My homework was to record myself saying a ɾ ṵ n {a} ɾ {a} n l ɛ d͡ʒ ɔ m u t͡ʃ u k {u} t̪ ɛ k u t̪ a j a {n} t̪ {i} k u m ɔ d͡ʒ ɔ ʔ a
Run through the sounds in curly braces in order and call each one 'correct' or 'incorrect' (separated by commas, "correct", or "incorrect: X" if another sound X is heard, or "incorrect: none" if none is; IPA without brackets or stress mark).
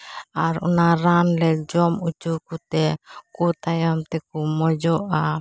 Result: correct, correct, correct, incorrect: m, incorrect: ɛ